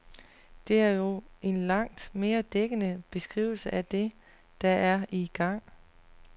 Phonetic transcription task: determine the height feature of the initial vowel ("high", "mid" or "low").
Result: mid